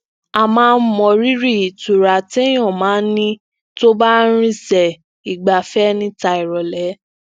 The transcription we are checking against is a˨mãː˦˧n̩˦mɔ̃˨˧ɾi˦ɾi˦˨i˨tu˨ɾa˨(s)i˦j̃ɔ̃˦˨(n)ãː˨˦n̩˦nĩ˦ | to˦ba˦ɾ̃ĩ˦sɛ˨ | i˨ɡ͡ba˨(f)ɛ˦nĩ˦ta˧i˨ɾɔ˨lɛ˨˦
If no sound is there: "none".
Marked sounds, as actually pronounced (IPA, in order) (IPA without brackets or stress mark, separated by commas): t, m, f